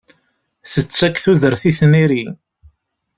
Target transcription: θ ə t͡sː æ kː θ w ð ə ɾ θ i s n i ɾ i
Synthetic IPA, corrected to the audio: θ ə t͡sː æ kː θ u ð ə ɾ θ i θ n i ɾ i